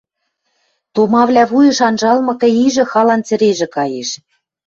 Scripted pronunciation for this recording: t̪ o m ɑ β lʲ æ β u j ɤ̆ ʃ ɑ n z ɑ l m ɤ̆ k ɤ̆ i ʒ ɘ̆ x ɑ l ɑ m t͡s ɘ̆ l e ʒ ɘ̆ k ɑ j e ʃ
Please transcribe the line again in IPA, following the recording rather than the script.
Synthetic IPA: t̪ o m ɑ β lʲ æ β u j ɤ̆ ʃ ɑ n ʒ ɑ l m ɤ̆ k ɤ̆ i ʒ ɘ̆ x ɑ l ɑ n t͡s ɘ̆ ɾ e ʒ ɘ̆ k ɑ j e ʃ